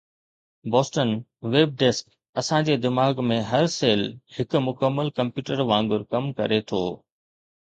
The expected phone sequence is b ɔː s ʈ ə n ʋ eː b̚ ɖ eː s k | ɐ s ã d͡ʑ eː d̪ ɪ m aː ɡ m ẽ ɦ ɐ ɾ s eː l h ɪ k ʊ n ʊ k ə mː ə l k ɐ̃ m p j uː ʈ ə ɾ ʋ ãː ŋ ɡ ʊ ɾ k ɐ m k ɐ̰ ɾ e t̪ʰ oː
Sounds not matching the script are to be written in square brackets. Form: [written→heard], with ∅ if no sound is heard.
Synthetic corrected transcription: b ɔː s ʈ ə n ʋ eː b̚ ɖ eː s k | ɐ s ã d͡ʑ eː d̪ ɪ m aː ɡ m ẽ ɦ ɐ ɾ s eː l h ɪ k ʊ [n→m] ʊ k ə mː ə l k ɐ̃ m p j uː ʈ ə ɾ ʋ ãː ŋ ɡ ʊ ɾ k ɐ m k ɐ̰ ɾ e t̪ʰ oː